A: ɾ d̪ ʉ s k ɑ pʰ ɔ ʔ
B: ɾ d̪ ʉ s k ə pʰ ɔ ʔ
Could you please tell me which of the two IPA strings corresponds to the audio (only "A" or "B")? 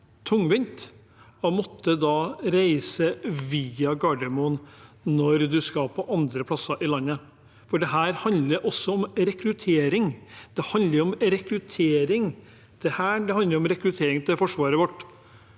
A